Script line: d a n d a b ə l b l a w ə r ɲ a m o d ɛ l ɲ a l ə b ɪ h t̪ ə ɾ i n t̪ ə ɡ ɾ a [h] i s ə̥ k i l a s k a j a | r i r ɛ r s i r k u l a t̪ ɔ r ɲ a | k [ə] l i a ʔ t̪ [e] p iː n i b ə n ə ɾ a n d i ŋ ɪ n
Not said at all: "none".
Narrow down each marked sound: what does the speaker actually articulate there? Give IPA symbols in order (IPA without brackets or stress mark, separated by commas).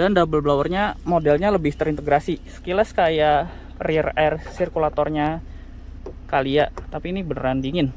s, a, a